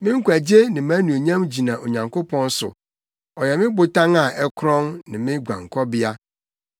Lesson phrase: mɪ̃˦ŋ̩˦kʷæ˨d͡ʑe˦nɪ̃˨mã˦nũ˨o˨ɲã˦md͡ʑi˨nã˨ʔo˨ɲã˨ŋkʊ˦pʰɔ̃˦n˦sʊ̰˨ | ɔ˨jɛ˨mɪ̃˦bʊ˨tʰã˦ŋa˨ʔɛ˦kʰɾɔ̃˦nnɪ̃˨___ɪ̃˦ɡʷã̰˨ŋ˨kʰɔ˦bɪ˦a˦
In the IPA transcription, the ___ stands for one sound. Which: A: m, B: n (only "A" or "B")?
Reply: A